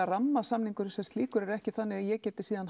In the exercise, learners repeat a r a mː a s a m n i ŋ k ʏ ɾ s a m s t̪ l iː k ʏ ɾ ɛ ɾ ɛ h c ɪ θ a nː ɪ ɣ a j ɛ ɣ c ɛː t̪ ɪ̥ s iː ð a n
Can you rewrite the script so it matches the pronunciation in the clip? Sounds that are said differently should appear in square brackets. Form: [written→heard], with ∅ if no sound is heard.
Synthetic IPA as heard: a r a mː a s a m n i ŋ k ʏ ɾ s [a→ɛ] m s t̪ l iː k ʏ ɾ ɛ ɾ ɛ h c ɪ θ a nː ɪ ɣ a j ɛ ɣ c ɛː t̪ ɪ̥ s iː ð a n